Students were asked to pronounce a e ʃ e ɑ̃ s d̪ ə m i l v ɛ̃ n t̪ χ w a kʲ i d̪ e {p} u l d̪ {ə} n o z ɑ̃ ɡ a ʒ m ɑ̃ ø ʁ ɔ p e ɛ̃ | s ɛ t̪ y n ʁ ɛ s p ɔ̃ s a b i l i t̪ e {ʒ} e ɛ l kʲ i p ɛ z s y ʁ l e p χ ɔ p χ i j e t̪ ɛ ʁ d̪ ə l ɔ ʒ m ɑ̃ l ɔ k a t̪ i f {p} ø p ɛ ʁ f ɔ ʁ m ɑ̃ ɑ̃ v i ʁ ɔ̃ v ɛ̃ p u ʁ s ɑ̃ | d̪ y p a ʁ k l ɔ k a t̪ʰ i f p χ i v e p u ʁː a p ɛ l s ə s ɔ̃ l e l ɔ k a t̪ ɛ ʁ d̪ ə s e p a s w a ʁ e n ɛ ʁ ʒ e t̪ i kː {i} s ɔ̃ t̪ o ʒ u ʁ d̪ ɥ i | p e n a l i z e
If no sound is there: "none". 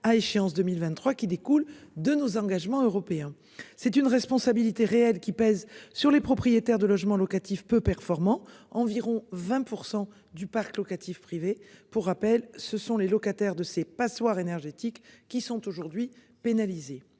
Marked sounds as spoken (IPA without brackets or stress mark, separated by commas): k, ə, ʁ, p, i